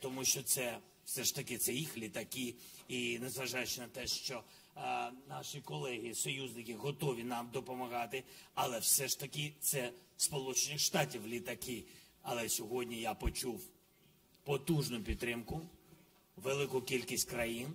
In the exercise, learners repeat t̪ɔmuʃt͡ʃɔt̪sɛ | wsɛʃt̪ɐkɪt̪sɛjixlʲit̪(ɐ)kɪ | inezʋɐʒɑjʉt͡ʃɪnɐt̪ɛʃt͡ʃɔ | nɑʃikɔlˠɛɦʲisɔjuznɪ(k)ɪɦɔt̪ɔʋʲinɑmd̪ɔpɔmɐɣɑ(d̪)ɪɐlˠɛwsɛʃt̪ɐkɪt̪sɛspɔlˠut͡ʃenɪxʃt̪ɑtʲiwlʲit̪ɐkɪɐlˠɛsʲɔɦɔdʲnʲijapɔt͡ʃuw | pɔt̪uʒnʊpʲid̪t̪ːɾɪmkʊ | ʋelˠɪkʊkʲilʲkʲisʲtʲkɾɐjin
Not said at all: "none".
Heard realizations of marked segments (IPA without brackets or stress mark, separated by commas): ɐ, k, t̪